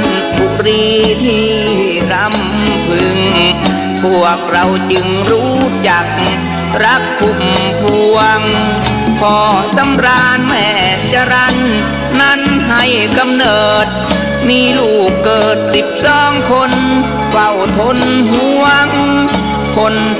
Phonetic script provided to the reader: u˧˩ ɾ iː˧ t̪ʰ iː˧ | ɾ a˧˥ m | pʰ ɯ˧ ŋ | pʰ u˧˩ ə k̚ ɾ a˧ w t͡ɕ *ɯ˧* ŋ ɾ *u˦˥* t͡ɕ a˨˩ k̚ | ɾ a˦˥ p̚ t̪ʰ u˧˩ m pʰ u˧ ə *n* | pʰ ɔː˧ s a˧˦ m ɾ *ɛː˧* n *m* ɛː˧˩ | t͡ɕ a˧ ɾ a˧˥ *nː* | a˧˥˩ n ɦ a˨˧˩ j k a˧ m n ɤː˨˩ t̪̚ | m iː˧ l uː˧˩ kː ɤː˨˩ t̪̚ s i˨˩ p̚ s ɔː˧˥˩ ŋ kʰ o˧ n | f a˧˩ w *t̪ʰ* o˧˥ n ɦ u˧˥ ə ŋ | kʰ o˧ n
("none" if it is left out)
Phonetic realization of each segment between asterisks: ɯ˧, uː˦˥, ŋ, aː˧, m, nː, t̪ʰ

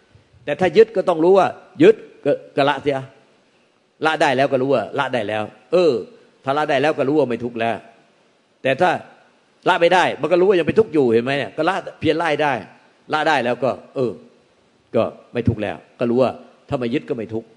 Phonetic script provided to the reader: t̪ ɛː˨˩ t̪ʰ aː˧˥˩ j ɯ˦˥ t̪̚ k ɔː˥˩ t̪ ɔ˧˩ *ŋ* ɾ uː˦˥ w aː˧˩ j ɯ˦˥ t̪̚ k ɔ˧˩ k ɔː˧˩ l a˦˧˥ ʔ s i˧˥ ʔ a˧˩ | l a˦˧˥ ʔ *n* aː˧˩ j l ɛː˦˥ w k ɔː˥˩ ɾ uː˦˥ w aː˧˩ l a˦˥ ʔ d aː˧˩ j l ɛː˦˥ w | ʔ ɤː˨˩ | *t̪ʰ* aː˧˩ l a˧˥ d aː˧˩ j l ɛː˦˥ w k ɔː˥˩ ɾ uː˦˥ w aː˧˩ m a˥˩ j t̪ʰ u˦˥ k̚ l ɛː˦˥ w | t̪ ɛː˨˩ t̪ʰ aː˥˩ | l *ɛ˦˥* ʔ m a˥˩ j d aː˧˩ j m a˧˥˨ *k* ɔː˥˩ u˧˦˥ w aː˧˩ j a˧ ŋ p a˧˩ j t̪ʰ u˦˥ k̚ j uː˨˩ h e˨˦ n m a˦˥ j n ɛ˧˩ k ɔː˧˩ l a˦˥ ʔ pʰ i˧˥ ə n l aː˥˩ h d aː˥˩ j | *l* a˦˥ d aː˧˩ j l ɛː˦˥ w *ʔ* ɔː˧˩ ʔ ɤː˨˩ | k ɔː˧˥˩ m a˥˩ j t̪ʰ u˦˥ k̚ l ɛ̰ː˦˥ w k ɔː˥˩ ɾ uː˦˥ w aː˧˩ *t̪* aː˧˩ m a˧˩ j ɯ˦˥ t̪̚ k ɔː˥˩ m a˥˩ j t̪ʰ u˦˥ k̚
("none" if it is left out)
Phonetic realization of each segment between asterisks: ŋ, d, t̪ʰ, a˦˥, k, l, k, t̪ʰ

